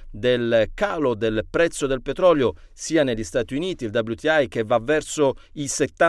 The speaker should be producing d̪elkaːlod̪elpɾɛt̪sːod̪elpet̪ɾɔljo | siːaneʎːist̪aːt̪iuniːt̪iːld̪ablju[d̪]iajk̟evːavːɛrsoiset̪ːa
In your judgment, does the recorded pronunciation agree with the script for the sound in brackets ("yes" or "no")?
no